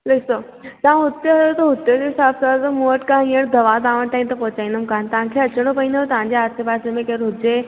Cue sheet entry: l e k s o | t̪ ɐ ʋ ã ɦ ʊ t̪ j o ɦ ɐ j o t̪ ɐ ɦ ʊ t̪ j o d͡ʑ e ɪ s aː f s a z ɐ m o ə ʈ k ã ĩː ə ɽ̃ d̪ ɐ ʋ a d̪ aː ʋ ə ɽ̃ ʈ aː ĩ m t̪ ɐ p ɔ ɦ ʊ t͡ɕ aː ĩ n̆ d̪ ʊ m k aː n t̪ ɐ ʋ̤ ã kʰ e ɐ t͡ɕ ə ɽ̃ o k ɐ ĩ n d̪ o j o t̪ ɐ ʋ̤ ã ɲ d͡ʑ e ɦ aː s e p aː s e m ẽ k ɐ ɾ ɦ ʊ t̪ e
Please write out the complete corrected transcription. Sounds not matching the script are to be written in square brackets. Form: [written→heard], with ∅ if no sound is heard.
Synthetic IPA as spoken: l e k s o | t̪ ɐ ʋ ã ɦ ʊ t̪ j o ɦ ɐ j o t̪ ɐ ɦ ʊ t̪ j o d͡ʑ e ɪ s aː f s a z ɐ m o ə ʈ k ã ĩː ə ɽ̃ d̪ ɐ ʋ a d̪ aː ʋ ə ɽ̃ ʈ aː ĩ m t̪ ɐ p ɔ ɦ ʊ t͡ɕ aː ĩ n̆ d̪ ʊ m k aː n t̪ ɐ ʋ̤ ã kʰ e ɐ t͡ɕ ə ɽ̃ o [k→p] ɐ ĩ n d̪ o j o t̪ ɐ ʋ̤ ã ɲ d͡ʑ e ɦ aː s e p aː s e m ẽ k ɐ ɾ ɦ ʊ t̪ e